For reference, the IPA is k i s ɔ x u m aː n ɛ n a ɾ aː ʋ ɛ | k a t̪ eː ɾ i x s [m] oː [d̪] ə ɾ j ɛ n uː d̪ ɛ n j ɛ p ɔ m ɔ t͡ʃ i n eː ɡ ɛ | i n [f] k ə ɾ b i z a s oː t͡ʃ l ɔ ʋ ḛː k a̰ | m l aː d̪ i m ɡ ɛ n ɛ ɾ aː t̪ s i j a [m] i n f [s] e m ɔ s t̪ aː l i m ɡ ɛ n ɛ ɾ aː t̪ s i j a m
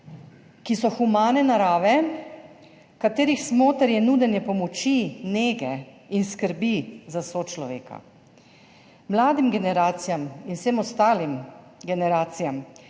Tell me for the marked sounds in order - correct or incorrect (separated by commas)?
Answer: correct, incorrect, incorrect, correct, correct